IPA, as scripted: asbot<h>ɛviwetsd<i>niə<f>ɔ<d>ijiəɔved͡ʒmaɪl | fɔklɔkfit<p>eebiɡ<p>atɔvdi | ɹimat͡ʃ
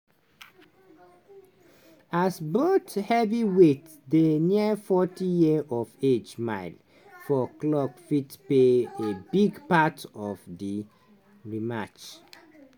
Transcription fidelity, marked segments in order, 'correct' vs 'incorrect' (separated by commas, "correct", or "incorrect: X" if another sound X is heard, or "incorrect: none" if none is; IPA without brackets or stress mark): correct, incorrect: e, correct, incorrect: t, correct, correct